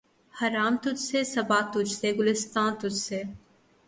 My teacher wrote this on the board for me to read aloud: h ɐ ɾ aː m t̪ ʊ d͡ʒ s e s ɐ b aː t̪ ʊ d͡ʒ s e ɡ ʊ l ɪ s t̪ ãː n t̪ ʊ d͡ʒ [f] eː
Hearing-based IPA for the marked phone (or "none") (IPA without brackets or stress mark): s